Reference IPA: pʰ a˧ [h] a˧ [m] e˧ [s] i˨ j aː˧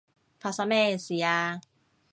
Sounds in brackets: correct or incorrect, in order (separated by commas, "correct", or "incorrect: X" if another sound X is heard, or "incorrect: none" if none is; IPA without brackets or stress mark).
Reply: incorrect: s, correct, correct